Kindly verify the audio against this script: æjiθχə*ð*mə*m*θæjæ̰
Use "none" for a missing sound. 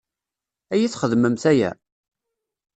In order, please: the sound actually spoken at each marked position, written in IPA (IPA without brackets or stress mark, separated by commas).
ð, m